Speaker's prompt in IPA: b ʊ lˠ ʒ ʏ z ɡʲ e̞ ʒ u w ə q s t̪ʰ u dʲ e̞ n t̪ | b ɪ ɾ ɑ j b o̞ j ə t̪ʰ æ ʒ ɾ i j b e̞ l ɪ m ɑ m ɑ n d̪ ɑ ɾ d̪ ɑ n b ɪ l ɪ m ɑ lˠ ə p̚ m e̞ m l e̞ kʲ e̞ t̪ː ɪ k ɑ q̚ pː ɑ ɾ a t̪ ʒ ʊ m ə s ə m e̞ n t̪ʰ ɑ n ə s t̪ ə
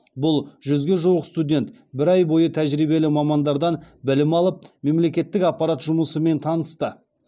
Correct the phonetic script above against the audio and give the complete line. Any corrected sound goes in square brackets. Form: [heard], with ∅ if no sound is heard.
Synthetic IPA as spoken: b ʊ lˠ ʒ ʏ z ɡʲ e̞ ʒ u w ə q s [t̪] u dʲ e̞ n t̪ | b ɪ ɾ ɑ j b o̞ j ə t̪ʰ æ ʒ ɾ i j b e̞ l ɪ m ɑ m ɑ n d̪ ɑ ɾ d̪ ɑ n b ɪ l ɪ m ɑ lˠ ə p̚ m e̞ m l e̞ kʲ e̞ t̪ː ɪ k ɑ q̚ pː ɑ ɾ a t̪ ʒ ʊ m ə s ə m e̞ n t̪ʰ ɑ n ə s t̪ ə

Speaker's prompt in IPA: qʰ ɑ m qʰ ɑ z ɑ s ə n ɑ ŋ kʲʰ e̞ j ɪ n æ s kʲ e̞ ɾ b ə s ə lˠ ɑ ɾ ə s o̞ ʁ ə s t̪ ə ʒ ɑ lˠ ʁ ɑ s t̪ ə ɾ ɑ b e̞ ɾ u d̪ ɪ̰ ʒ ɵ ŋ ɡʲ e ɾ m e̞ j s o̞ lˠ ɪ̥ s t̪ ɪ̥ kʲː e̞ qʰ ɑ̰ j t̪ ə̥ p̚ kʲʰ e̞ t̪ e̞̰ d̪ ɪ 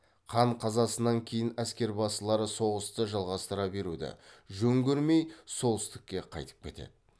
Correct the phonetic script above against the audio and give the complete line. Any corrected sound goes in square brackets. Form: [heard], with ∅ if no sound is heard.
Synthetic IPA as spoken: qʰ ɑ [ɴ] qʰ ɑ z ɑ s ə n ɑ ŋ kʲʰ e̞ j ɪ n æ s kʲ e̞ ɾ b [ɑ] s ə lˠ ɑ ɾ ə s o̞ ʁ ə s t̪ ə ʒ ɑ lˠ ʁ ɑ s t̪ ə ɾ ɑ b e̞ ɾ u d̪ ɪ̰ ʒ ɵ ŋ ɡʲ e ɾ m e̞ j s o̞ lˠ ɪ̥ s t̪ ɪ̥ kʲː e̞ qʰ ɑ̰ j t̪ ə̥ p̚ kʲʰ e̞ t̪ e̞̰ d̪ ɪ

